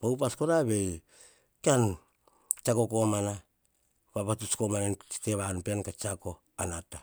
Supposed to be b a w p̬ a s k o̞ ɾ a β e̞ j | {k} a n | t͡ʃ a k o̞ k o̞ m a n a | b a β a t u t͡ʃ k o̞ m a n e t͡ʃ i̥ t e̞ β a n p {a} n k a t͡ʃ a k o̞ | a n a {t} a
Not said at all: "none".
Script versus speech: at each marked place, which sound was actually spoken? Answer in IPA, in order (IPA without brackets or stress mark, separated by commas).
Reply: k, e, t